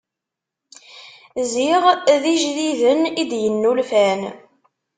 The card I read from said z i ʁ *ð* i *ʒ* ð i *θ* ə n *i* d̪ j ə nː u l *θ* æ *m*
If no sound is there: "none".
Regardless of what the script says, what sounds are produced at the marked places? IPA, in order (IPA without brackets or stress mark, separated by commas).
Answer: ð, ʒ, ð, i, f, n